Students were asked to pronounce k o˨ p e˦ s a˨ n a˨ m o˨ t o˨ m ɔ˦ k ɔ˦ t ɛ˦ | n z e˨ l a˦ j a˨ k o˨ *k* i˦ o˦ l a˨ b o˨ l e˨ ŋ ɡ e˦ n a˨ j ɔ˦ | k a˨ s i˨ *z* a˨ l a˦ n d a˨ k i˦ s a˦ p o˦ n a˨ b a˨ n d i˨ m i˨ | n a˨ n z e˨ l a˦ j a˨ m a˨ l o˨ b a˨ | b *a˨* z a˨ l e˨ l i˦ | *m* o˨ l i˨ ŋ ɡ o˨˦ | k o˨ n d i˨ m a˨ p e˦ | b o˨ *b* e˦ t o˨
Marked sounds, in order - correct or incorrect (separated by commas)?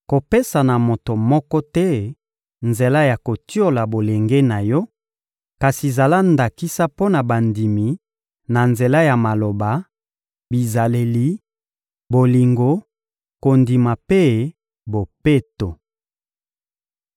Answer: incorrect, correct, incorrect, incorrect, incorrect